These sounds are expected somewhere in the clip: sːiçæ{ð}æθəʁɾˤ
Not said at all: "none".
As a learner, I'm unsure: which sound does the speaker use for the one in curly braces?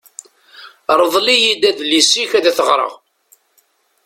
ð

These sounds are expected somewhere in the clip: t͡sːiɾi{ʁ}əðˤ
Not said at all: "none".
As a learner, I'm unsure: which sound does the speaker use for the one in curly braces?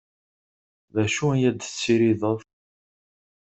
ð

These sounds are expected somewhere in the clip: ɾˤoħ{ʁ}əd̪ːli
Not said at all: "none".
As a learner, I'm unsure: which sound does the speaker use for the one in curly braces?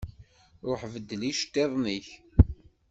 v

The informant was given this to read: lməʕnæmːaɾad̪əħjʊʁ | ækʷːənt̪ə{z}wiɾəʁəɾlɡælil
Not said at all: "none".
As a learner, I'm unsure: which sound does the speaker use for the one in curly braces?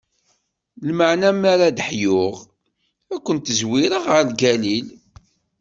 z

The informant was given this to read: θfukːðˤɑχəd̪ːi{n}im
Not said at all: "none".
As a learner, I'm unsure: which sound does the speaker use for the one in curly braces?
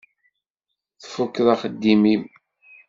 m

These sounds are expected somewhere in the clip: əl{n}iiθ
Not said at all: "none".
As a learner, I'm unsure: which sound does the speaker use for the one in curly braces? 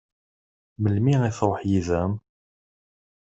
m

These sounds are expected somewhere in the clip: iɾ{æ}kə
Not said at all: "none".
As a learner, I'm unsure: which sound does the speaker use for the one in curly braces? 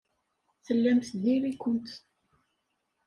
i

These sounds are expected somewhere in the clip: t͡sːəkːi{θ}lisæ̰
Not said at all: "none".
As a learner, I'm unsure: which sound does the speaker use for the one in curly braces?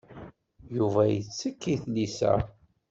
θ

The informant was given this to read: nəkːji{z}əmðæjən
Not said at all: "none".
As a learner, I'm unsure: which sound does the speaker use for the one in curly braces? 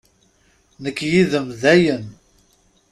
ð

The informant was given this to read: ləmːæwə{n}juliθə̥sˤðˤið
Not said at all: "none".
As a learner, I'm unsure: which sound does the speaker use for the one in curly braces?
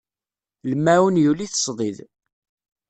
n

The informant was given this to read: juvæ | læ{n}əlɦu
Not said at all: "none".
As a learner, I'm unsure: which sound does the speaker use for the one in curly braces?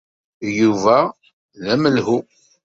m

